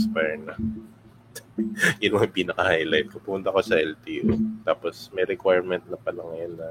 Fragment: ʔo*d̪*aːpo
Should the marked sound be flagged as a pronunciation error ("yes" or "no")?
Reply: yes